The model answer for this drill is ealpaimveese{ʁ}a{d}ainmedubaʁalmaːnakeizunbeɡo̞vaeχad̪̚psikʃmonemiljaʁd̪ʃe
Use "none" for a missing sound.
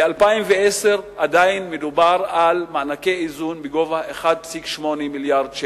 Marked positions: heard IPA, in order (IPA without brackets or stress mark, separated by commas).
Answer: ʁ, d